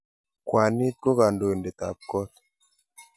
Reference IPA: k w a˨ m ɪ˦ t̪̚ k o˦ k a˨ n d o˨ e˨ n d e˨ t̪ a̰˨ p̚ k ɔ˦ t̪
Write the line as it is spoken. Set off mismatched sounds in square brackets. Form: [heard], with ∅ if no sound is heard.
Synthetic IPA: k w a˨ [n] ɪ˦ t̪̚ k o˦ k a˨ n d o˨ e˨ n d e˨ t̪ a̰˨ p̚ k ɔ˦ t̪